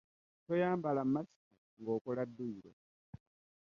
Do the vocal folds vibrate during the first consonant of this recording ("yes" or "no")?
no